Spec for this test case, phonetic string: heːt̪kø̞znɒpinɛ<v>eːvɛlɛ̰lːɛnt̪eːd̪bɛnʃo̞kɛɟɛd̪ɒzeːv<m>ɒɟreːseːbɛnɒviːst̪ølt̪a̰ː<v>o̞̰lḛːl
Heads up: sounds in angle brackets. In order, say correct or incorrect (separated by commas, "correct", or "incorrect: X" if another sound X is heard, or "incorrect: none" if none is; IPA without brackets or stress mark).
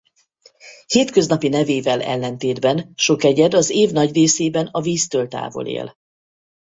correct, incorrect: n, correct